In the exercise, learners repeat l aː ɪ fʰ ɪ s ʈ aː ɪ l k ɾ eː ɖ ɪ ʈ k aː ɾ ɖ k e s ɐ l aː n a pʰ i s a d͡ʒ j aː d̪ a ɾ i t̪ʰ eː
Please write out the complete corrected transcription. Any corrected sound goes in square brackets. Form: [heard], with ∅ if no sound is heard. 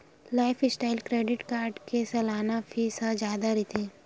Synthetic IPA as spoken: l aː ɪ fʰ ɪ s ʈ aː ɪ l k ɾ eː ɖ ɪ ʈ k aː ɾ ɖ k e s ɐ l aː n a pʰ i s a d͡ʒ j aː d̪ a ɾ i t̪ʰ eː